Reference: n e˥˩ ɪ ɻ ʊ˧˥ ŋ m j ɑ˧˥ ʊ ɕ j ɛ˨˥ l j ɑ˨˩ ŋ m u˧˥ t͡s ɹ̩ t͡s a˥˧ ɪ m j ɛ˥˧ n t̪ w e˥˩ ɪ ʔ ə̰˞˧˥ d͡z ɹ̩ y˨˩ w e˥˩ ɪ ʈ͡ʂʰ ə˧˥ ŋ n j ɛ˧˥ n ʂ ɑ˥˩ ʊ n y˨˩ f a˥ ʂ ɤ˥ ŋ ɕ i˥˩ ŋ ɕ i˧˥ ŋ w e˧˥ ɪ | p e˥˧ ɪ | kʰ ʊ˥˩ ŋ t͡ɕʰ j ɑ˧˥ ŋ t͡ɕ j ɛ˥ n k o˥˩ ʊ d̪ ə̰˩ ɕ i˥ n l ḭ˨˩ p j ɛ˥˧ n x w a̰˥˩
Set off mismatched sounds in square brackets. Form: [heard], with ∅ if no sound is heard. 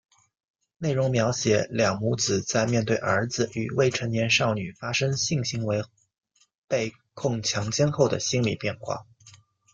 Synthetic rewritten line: n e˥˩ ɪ ɻ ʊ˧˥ ŋ m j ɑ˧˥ ʊ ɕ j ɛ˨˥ l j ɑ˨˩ ŋ m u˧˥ t͡s ɹ̩ t͡s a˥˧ ɪ m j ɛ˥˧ n t̪ w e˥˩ ɪ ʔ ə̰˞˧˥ d͡z ɹ̩ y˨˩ w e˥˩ ɪ ʈ͡ʂʰ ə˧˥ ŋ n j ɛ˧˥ n ʂ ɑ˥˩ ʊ n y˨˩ f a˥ ʂ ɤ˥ ŋ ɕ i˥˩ ŋ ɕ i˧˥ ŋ w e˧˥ ɪ | p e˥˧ ɪ | kʰ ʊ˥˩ ŋ t͡ɕʰ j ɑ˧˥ ŋ t͡ɕ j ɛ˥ n [x] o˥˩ ʊ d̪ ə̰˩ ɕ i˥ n l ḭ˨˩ p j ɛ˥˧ n x w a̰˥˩